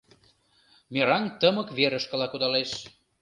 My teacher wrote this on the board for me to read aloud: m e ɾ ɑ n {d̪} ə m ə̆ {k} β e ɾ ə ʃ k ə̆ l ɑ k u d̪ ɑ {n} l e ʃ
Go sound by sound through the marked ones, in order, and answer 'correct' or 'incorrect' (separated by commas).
incorrect, correct, incorrect